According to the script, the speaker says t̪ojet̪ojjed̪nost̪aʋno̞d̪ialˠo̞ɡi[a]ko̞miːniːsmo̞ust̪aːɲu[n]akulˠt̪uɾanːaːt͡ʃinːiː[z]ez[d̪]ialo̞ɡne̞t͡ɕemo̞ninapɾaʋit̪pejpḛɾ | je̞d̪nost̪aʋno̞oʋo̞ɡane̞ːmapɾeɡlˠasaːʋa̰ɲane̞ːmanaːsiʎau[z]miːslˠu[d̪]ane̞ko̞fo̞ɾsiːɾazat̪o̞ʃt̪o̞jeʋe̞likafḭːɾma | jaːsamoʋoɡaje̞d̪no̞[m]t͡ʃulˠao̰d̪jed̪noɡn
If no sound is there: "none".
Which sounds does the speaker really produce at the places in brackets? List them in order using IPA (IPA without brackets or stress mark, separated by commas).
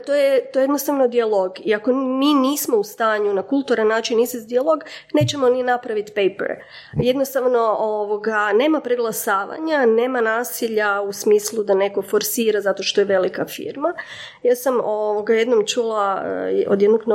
a, n, s, d̪, s, d̪, m